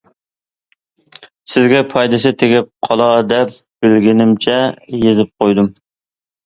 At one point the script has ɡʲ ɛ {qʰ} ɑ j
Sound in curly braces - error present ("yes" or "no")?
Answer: yes